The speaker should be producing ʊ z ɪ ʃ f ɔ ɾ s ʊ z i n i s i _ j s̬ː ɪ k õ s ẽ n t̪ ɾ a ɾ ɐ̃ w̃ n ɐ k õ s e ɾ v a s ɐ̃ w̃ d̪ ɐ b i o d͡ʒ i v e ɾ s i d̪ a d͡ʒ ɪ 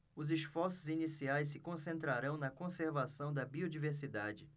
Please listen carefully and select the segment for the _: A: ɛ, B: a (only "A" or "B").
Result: B